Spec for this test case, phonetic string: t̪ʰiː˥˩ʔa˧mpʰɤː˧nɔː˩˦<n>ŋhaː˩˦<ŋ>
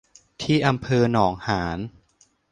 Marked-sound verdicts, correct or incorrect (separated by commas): incorrect, incorrect